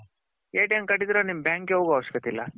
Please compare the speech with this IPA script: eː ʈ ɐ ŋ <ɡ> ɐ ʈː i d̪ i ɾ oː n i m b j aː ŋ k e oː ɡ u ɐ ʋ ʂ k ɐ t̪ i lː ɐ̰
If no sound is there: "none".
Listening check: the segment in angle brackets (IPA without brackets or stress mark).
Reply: k